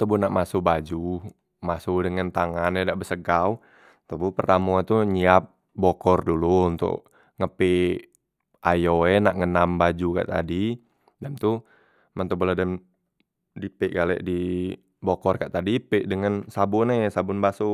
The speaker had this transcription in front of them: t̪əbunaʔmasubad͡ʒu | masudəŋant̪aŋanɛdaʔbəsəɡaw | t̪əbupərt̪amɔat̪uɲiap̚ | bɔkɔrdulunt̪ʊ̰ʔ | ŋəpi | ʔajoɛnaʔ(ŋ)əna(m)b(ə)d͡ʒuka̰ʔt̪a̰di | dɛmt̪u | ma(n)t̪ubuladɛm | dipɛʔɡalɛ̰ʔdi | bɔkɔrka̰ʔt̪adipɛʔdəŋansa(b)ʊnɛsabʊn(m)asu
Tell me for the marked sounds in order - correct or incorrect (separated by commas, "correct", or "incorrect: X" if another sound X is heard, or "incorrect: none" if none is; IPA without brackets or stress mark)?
correct, correct, incorrect: a, correct, correct, incorrect: b